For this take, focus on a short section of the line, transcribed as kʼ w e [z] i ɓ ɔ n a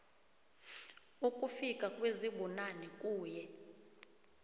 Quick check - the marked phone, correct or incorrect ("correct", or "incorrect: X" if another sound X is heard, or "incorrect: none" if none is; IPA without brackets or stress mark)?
correct